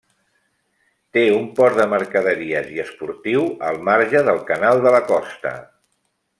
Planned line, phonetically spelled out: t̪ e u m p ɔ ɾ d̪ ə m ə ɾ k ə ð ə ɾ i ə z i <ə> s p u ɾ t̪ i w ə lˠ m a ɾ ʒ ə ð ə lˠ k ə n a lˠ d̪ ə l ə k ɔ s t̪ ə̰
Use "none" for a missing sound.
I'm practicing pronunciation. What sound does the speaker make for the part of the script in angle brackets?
ə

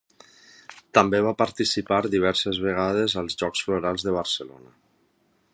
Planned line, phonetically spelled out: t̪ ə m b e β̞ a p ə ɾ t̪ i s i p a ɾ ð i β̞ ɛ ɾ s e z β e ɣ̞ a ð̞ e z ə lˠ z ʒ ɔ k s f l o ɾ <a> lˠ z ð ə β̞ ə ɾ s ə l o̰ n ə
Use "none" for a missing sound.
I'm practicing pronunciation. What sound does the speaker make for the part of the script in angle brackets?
a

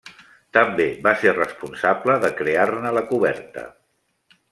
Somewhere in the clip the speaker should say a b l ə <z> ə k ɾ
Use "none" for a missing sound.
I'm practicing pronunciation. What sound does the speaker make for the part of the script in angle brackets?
ð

